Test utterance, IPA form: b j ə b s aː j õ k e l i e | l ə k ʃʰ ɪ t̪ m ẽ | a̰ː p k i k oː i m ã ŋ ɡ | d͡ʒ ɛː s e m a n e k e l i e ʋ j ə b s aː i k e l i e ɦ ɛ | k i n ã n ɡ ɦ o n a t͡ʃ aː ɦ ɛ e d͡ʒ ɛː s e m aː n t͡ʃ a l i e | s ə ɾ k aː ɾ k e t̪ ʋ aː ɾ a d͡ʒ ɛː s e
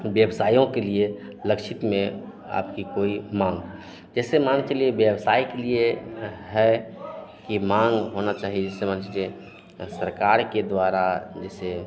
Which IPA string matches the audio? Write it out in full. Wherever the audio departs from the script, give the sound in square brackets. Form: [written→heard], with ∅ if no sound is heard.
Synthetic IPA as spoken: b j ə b s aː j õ k e l i e | l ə k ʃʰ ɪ t̪ m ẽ | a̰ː p k i k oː i m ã ŋ ɡ | d͡ʒ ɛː s e m a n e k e l i e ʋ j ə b s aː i k e l i e ɦ ɛ | k i [n→m] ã [n→ŋ] ɡ ɦ o n a t͡ʃ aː ɦ [ɛ→i] e d͡ʒ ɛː s e m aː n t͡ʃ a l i e | s ə ɾ k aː ɾ k e [t̪→d̪] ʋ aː ɾ a d͡ʒ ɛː s e